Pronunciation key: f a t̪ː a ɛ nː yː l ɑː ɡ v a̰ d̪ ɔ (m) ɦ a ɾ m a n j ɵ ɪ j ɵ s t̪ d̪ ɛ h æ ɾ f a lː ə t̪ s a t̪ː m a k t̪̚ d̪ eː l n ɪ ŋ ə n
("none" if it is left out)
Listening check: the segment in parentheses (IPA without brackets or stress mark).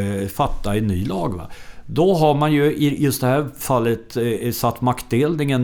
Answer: none